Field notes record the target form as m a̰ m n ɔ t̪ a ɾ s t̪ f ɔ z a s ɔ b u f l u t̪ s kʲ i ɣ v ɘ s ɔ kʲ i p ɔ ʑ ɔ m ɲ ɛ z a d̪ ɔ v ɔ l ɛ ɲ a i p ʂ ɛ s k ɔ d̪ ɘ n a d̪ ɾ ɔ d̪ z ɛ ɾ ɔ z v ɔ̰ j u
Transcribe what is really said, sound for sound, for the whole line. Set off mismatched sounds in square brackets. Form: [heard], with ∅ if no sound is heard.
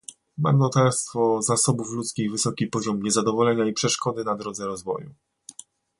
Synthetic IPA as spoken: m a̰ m n ɔ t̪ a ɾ s t̪ f ɔ z a s ɔ b u f l u t̪ s kʲ i ɣ v ɘ s ɔ kʲ i p ɔ ʑ ɔ m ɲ ɛ z a d̪ ɔ v ɔ l ɛ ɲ a i p ʂ ɛ [ʂ] k ɔ d̪ ɘ n a d̪ ɾ ɔ d̪ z ɛ ɾ ɔ z v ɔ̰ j u